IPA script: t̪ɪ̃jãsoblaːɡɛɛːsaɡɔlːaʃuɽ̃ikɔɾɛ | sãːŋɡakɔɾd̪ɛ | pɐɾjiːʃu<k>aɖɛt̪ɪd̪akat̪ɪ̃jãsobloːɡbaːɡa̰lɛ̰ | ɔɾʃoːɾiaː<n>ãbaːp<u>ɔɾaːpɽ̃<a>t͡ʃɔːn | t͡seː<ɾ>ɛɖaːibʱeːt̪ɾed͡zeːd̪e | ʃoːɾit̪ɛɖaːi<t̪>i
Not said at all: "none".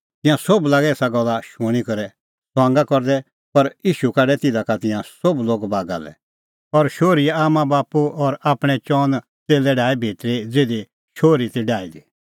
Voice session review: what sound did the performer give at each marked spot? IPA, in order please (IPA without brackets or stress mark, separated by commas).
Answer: k, m, u, ɛ, l, d̪